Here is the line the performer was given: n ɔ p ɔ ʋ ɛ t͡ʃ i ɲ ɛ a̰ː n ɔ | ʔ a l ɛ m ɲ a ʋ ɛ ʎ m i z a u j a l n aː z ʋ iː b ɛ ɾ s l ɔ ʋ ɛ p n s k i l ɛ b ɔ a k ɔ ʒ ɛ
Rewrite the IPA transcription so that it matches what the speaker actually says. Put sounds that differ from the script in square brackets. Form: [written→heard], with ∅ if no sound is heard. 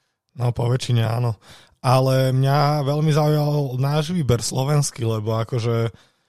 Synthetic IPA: n ɔ p ɔ ʋ ɛ t͡ʃ i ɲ ɛ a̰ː n ɔ | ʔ a l ɛ m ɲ a ʋ ɛ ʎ m i z a u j a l n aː [z→ʒ] ʋ iː b ɛ ɾ s l ɔ ʋ ɛ [p→∅] n s k i l ɛ b ɔ a k ɔ ʒ ɛ